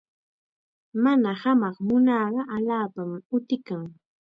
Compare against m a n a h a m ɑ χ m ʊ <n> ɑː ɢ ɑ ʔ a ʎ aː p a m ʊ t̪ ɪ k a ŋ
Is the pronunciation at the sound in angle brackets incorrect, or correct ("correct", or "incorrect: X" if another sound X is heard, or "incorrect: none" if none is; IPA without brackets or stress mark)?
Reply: correct